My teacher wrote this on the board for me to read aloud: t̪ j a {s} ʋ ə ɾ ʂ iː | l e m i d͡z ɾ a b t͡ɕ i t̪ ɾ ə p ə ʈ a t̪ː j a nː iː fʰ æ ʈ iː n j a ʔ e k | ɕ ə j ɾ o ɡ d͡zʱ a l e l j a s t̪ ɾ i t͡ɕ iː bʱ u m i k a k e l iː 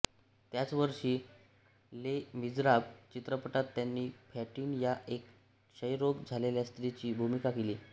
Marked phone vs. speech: incorrect: t͡s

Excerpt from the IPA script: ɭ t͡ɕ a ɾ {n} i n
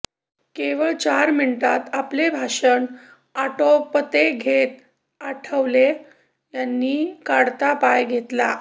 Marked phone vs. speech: incorrect: m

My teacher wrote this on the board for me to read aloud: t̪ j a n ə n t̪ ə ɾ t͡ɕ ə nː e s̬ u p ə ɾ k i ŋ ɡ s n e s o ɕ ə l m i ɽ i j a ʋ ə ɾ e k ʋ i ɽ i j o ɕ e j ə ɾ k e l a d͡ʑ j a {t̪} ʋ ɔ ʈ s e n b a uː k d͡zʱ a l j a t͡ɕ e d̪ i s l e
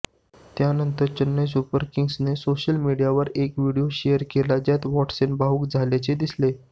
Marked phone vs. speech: correct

